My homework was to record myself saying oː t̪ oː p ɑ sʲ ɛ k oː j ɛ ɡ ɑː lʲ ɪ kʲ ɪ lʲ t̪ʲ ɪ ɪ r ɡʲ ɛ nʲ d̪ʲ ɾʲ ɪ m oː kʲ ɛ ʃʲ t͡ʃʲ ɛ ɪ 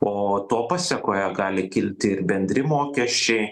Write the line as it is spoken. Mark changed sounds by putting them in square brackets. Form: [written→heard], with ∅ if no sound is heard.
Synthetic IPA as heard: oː t̪ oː p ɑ sʲ ɛ k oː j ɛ ɡ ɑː lʲ ɪ kʲ ɪ lʲ t̪ʲ ɪ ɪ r [ɡʲ→bʲ] ɛ nʲ d̪ʲ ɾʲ ɪ m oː kʲ ɛ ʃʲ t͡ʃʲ ɛ ɪ